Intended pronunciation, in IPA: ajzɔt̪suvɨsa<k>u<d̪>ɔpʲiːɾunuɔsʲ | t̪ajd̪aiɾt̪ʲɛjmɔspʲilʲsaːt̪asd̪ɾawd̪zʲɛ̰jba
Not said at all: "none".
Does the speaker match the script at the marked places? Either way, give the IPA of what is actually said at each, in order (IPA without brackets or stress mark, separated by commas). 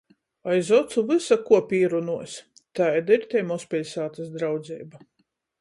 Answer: k, none